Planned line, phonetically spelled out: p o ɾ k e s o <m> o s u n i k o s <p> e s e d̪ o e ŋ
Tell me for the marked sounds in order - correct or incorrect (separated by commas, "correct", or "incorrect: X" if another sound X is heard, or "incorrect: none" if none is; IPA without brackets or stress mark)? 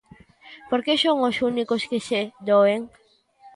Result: incorrect: ŋ, incorrect: k